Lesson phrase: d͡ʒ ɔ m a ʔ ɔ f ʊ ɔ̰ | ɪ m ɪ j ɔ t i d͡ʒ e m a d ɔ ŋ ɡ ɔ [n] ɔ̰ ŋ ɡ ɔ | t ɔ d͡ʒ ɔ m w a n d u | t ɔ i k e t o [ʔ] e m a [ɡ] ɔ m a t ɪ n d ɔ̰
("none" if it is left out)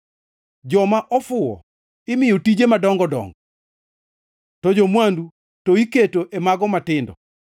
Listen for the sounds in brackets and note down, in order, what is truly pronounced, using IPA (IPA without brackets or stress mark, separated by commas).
d, ʔ, ɡ